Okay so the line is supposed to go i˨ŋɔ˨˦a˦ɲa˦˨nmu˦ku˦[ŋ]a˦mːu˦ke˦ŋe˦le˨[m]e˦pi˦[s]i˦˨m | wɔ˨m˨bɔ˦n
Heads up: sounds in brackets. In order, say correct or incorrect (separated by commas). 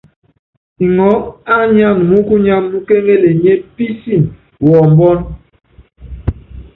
incorrect, incorrect, correct